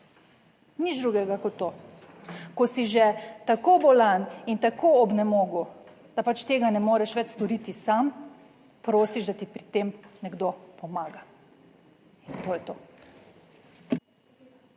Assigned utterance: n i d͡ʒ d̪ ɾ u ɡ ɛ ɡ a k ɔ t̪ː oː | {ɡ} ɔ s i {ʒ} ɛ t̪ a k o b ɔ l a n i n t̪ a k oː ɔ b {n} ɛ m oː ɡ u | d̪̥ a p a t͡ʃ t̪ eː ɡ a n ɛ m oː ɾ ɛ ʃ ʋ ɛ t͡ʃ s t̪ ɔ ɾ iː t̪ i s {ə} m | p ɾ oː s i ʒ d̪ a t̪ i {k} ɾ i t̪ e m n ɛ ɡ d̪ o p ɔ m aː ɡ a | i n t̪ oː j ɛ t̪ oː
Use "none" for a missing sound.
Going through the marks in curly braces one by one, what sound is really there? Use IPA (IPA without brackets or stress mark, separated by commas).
k, ʒ, n, a, p